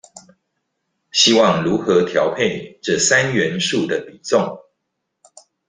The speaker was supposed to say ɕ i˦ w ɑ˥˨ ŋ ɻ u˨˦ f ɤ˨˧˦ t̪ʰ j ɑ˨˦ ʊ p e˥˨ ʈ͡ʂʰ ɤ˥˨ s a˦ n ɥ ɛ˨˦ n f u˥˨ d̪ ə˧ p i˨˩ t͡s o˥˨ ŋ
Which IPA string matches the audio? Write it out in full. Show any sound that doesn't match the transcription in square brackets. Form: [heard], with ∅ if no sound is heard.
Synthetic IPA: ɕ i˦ w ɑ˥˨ ŋ ɻ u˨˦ [x] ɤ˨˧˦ t̪ʰ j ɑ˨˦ ʊ [pʰ] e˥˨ [ʈ͡ʂ] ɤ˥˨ s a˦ n ɥ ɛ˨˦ n [ʂ] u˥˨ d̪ [ə˩] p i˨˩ t͡s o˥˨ ŋ